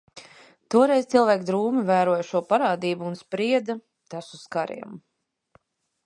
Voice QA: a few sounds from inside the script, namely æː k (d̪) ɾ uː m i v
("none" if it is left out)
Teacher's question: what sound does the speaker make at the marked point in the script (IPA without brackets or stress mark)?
d̪